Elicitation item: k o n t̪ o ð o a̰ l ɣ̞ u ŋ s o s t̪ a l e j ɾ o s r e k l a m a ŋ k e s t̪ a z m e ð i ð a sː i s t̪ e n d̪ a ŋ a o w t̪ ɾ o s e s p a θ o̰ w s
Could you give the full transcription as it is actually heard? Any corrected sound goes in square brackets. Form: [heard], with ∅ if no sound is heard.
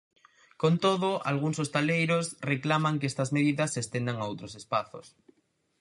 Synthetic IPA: k o n t̪ o ð o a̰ l ɣ̞ u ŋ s o s t̪ a l e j ɾ o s r e k l a m a ŋ k e s t̪ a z m e ð i ð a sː [e] s t̪ e n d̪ a ŋ a o w t̪ ɾ o s e s p a θ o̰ [∅] s